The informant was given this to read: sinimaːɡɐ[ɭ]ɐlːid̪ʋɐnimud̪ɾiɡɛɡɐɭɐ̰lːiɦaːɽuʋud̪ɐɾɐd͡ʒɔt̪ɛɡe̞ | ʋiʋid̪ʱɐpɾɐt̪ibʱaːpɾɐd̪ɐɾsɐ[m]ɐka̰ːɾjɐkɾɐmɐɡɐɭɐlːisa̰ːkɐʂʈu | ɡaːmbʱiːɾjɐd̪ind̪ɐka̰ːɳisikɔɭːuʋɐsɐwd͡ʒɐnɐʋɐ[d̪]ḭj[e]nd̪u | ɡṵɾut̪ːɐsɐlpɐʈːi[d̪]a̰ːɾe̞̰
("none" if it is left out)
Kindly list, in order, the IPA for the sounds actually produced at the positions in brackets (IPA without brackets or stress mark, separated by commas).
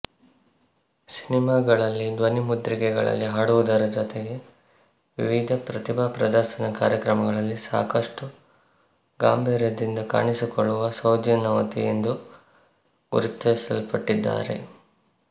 ɭ, n, t̪, e, d̪ː